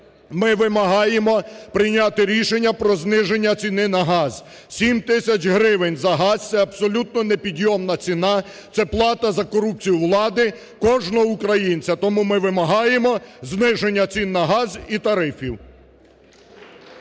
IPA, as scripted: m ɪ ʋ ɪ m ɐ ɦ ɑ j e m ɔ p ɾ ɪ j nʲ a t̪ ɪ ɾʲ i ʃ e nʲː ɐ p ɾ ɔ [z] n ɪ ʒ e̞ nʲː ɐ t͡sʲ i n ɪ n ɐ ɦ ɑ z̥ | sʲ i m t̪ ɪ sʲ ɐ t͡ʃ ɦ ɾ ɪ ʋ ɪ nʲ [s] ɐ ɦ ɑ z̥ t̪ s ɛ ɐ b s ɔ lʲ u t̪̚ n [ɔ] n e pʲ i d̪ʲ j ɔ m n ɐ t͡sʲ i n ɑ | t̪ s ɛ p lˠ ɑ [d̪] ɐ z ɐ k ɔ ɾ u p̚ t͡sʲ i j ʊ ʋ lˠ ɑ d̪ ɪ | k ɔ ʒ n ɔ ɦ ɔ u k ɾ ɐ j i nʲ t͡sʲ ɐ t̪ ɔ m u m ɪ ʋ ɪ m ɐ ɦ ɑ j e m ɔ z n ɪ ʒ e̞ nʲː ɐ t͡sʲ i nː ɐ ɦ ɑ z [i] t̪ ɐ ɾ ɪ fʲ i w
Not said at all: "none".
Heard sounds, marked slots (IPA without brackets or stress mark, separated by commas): z, z, ɔ, t̪, i